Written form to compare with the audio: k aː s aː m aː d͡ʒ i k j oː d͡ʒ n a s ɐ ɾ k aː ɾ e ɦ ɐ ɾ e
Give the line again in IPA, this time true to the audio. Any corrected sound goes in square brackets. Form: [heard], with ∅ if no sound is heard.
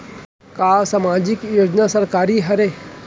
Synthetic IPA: k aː s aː m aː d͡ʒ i k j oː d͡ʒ n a s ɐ ɾ k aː ɾ [i] ɦ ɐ ɾ e